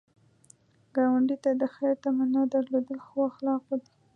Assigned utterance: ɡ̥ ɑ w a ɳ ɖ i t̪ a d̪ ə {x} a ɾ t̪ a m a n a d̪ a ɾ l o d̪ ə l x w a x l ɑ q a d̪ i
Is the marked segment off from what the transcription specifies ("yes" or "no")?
no